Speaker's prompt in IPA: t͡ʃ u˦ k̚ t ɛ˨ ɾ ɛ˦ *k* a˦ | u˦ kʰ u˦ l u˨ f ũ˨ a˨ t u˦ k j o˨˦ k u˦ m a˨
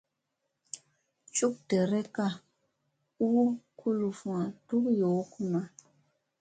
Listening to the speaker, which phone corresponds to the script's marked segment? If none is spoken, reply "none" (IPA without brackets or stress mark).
k